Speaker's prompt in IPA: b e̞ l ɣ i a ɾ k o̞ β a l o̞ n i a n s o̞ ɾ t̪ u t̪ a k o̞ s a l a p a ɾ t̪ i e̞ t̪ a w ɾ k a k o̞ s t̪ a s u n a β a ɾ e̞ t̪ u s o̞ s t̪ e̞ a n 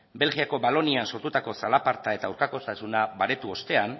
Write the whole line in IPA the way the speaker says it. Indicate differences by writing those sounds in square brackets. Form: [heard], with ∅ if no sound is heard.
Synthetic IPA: b e̞ l ɣ i a [∅] k o̞ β a l o̞ n i a n s o̞ ɾ t̪ u t̪ a k o̞ s a l a p a ɾ t̪ [a] e̞ t̪ a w ɾ k a k o̞ s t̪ a s u n a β a ɾ e̞ t̪ u [∅] o̞ s t̪ e̞ a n